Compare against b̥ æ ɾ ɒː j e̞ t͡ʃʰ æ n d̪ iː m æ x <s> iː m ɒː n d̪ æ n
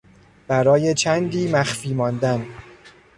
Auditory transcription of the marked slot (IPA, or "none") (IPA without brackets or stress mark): f